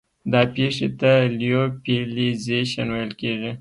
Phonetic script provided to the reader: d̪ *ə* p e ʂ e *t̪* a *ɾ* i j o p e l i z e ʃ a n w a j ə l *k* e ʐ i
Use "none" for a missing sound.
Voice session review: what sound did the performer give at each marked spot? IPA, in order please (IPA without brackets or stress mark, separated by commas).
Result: ɑ, t̪, l, k